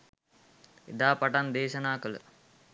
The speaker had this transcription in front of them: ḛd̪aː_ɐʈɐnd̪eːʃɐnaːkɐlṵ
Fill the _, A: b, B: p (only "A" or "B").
B